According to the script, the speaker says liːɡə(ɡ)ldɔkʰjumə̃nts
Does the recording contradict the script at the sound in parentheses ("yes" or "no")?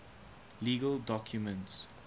yes